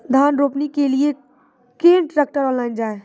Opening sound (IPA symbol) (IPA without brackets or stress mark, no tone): d̪ʱ